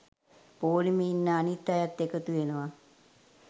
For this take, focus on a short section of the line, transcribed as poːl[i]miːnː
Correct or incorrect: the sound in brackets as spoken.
correct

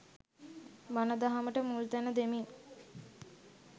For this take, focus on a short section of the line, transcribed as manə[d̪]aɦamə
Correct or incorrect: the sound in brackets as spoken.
correct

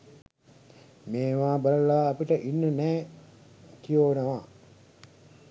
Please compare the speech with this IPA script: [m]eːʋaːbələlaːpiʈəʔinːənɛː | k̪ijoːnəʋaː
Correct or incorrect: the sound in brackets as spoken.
correct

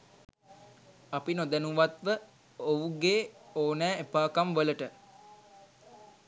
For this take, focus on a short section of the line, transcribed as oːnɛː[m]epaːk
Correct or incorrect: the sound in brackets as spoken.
incorrect: none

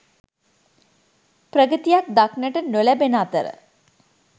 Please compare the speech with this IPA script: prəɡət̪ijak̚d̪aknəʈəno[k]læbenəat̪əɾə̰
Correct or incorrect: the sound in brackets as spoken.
incorrect: none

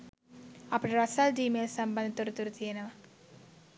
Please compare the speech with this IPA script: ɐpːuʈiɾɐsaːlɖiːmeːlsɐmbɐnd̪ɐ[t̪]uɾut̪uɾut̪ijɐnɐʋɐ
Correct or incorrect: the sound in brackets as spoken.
correct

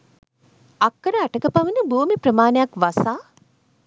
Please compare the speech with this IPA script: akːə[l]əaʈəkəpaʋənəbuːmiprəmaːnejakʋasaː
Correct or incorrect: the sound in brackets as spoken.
incorrect: ɾ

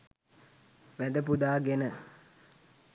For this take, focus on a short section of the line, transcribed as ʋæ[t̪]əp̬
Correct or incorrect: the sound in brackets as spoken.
incorrect: d̪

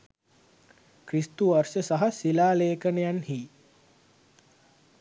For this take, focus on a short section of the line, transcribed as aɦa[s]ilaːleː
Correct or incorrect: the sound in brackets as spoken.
correct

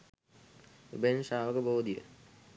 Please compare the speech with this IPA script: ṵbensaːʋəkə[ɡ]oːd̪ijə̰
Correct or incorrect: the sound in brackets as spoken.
incorrect: b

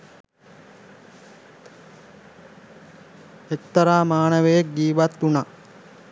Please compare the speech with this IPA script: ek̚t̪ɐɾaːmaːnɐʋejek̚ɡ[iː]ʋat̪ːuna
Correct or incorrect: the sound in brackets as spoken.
correct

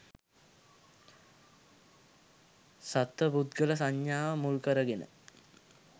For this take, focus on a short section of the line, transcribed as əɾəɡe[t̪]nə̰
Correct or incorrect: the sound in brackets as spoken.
incorrect: none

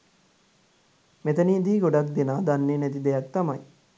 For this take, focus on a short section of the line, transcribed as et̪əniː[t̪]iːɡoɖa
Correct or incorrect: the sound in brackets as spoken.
incorrect: d̪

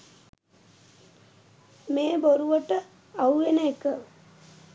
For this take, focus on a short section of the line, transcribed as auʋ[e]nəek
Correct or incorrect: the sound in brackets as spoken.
correct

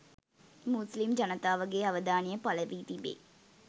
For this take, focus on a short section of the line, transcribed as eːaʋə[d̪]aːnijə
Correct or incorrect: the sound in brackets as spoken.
correct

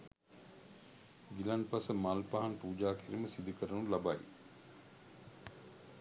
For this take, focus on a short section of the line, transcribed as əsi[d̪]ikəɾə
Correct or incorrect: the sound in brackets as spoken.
correct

